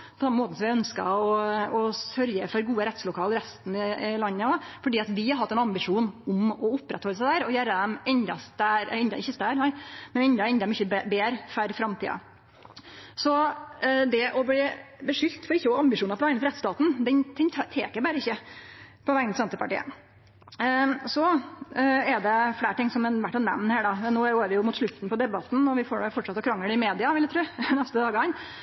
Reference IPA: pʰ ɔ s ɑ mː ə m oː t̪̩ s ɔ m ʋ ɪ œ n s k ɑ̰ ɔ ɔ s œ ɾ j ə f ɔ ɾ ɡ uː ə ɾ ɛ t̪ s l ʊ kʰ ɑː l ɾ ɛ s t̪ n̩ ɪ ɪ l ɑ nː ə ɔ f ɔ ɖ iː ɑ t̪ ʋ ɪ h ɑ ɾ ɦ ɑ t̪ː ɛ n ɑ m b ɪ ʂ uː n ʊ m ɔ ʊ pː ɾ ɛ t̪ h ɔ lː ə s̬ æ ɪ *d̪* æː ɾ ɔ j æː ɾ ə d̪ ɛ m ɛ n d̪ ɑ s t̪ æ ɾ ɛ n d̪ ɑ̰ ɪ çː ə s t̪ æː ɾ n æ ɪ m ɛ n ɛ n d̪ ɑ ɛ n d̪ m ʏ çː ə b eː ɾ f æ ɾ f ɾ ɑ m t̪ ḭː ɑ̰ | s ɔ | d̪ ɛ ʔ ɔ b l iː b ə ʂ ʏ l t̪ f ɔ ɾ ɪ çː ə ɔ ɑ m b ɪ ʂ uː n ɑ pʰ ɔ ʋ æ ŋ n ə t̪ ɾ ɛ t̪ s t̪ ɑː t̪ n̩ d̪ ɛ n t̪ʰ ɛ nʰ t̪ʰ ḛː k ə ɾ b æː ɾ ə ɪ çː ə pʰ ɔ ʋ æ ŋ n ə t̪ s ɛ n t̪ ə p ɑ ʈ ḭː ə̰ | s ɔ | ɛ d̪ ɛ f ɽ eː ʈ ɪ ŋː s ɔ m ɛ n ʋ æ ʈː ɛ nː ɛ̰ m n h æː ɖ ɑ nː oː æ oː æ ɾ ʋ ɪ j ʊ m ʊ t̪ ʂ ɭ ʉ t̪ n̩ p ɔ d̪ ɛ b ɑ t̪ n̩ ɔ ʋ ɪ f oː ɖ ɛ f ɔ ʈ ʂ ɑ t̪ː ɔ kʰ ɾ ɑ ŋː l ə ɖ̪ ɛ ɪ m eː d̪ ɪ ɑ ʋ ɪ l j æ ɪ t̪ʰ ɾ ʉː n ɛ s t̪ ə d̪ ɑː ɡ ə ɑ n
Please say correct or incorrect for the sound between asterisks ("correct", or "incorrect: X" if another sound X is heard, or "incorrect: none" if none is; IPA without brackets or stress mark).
correct